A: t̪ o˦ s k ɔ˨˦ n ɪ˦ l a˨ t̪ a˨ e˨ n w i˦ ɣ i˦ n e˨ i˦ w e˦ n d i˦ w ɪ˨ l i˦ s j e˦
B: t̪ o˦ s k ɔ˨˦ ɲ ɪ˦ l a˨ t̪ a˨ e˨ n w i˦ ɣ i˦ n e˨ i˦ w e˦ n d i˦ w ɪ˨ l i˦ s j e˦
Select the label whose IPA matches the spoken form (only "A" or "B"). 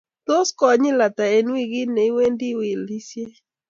B